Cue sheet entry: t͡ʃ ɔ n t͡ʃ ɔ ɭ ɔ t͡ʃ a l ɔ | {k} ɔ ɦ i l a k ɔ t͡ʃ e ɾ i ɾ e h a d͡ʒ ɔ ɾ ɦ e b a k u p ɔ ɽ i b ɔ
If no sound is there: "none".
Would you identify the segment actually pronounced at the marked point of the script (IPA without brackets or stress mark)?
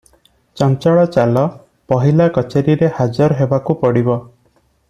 p